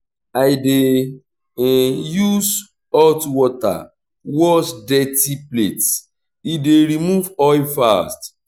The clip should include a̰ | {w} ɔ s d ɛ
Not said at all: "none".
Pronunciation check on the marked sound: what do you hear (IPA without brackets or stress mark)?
w